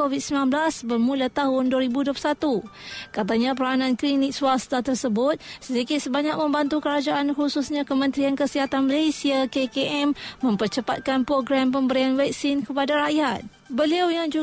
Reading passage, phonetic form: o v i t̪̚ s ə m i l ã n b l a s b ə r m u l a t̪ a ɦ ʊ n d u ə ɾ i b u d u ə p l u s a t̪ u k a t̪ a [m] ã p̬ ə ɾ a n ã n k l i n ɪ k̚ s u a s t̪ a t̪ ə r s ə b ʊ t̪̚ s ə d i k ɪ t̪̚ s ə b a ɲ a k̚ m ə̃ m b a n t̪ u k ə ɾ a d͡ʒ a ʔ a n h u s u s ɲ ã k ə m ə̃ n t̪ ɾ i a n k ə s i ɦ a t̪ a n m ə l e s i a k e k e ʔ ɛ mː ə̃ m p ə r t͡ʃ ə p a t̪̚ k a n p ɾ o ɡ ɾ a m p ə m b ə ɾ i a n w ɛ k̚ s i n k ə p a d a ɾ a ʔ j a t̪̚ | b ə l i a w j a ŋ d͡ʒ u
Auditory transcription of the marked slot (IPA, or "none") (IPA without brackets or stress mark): ɲ